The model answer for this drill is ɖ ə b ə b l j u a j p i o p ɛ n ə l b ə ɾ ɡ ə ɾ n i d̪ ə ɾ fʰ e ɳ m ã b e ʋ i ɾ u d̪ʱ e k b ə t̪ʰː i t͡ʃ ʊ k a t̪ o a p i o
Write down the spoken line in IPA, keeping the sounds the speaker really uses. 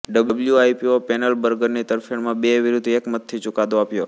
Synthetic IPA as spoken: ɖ ə b ə b l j u a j p i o p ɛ n ə l b ə ɾ ɡ ə ɾ n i t̪ ə ɾ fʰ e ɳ m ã b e ʋ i ɾ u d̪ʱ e k m ə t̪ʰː i t͡ʃ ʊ k a d̪ o a p j o